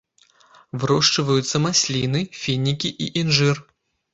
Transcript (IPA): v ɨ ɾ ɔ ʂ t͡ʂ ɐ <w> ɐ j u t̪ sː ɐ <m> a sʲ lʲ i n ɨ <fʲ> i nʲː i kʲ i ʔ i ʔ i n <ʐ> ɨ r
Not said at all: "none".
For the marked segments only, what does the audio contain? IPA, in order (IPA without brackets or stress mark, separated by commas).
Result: v, m, fʲ, ʐ